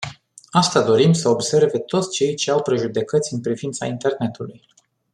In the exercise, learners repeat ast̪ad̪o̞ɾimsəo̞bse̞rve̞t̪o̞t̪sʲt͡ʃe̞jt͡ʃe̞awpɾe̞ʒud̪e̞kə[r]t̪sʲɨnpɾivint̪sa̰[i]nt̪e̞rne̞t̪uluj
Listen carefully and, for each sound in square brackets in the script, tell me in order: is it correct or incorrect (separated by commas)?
incorrect, correct